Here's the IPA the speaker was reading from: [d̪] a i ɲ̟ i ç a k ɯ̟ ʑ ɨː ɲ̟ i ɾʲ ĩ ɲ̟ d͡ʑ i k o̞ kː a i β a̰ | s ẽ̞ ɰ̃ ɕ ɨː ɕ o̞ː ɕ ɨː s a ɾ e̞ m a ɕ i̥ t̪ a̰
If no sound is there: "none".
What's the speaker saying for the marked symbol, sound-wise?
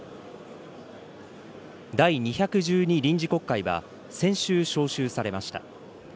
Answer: d̪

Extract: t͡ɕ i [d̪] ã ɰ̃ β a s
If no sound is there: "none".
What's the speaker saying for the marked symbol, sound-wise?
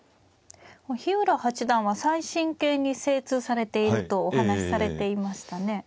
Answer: d̪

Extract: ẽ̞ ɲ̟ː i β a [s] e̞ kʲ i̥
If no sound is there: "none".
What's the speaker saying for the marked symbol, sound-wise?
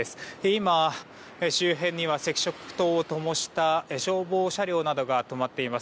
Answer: s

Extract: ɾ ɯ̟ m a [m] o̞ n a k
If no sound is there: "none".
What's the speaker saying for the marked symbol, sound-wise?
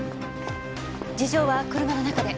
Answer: n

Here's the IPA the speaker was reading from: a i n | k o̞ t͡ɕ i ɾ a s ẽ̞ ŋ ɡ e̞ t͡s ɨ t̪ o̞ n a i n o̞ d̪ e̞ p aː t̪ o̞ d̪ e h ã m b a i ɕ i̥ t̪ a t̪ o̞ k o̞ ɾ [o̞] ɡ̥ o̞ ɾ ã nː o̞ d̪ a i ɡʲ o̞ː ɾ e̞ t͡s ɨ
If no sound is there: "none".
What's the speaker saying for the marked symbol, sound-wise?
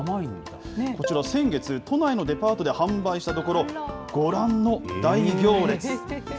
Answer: o̞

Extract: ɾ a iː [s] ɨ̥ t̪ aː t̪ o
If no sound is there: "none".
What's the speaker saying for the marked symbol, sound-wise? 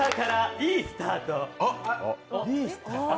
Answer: s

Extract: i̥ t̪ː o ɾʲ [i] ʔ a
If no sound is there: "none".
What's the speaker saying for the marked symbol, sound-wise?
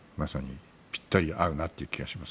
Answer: i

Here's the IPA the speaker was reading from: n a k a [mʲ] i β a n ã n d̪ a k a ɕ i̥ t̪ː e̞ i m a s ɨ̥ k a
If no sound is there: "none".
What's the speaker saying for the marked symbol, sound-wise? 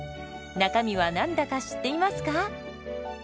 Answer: mʲ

